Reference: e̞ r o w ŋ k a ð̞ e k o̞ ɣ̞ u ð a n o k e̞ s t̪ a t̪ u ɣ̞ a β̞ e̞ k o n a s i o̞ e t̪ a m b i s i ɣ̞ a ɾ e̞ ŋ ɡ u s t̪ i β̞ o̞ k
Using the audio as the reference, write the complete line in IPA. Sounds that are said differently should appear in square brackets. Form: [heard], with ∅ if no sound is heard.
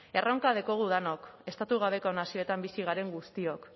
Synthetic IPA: e̞ r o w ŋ k a ð̞ e k o̞ ɣ̞ u ð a n o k e̞ s t̪ a t̪ u ɣ̞ a β̞ e̞ k o n a s i o̞ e t̪ a m b i s i ɣ̞ a ɾ e̞ ŋ ɡ u s t̪ i [∅] o̞ k